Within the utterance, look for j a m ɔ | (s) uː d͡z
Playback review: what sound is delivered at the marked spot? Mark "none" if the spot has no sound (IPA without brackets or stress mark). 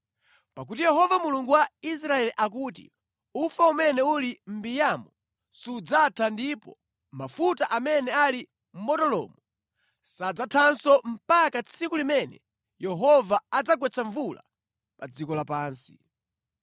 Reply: s